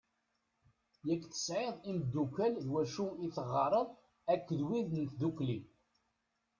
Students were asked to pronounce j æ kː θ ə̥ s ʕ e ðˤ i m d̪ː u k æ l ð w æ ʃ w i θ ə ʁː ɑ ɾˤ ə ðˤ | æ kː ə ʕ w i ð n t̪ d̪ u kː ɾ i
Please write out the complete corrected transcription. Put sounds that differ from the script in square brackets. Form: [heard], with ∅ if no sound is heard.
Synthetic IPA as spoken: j æ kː θ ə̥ s ʕ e ðˤ i m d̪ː u k æ l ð w æ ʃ [u] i θ ə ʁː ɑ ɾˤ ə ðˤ | æ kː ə [ð] w i ð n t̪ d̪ u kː [l] i